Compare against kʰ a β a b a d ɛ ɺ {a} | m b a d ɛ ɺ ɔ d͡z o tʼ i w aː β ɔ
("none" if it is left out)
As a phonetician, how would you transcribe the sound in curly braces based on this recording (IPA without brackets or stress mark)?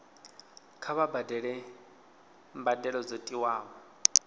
ɛ